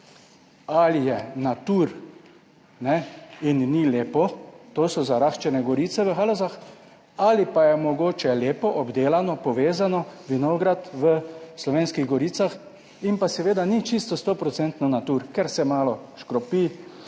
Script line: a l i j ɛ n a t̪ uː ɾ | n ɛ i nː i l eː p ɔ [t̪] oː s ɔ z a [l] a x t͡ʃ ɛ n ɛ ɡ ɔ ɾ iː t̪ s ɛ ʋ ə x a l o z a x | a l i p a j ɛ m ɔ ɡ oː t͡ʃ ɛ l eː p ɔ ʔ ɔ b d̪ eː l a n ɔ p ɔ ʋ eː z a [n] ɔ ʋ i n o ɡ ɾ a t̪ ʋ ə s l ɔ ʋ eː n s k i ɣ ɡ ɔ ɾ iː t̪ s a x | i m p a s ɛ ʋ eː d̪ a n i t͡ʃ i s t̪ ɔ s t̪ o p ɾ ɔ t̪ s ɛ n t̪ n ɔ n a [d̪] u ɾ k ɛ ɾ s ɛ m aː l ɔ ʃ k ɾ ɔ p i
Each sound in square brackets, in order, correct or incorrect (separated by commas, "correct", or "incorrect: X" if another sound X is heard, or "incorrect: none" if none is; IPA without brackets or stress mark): correct, incorrect: ɾ, correct, incorrect: t̪